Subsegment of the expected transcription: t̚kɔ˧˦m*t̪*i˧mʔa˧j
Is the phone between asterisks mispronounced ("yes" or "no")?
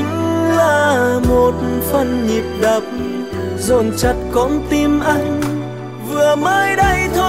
no